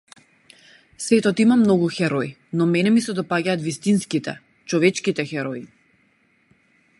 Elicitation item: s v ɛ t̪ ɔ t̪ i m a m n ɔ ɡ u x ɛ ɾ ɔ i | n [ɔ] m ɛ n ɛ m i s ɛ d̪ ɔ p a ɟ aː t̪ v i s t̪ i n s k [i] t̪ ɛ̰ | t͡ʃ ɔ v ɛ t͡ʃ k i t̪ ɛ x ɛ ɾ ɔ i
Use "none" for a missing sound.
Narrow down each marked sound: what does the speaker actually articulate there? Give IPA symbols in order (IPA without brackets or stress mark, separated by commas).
ɔ, i